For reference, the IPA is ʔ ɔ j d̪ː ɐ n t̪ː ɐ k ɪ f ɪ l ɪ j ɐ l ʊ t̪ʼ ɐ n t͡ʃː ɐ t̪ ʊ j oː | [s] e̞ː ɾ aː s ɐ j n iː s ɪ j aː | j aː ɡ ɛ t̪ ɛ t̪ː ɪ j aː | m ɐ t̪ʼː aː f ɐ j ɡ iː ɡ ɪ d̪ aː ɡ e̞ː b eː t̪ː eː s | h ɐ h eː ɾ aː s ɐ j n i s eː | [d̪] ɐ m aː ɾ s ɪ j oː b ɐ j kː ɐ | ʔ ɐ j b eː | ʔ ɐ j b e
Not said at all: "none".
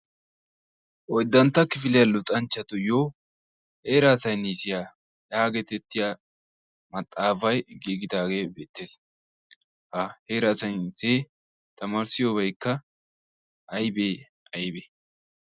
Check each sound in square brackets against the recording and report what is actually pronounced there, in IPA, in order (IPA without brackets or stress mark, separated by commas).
h, t̪